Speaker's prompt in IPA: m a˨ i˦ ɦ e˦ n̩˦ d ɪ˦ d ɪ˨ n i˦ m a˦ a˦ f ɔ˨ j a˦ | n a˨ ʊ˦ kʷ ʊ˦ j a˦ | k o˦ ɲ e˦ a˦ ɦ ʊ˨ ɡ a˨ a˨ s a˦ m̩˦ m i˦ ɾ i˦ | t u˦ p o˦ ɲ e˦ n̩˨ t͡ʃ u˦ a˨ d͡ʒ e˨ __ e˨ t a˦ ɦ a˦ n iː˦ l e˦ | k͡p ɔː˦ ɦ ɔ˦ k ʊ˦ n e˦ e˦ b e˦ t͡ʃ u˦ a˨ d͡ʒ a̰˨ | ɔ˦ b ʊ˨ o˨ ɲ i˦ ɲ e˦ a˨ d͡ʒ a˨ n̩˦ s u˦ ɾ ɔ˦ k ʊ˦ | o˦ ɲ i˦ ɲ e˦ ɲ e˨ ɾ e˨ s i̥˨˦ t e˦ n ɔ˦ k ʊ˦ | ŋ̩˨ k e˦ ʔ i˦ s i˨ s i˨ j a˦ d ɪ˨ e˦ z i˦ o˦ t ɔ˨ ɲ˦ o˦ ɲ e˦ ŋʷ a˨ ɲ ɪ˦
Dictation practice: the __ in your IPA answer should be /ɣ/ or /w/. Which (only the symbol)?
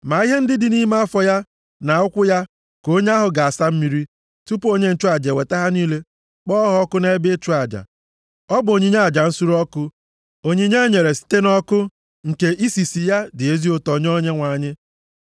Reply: w